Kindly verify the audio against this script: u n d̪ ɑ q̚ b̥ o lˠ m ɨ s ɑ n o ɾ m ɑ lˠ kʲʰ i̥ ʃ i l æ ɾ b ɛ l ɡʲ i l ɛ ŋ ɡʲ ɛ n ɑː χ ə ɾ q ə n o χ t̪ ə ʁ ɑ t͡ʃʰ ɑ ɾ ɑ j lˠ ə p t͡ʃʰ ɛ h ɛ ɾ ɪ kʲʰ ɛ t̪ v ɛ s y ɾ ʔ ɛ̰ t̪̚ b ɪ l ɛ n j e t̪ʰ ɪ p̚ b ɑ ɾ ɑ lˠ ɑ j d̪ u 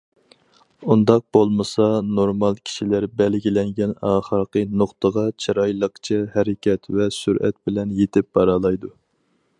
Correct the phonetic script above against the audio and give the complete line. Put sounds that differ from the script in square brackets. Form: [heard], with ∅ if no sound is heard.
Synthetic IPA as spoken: u n d̪ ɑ q̚ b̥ o lˠ m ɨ s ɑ n o ɾ m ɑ lˠ kʲʰ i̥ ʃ i l æ ɾ b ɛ l ɡʲ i l ɛ ŋ ɡʲ ɛ n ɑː χ ə ɾ q ə n o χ t̪ ə ʁ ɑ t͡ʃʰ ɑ ɾ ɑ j lˠ ə [q] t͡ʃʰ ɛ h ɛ ɾ ɪ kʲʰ ɛ t̪ v ɛ s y ɾ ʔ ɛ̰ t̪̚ b ɪ l ɛ n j e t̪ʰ ɪ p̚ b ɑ ɾ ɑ lˠ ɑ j d̪ u